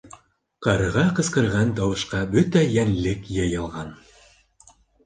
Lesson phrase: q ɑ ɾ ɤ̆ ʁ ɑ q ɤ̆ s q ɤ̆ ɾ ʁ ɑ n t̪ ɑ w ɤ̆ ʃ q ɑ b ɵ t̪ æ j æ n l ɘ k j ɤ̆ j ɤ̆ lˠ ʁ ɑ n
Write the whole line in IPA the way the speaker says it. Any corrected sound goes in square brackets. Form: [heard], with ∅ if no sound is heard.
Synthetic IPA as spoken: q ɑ ɾ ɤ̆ ʁ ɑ q ɤ̆ s q ɤ̆ ɾ ʁ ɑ n t̪ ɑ w ɤ̆ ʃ q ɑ b ɵ t̪ æ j æ n l ɘ k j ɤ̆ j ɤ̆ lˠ ʁ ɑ n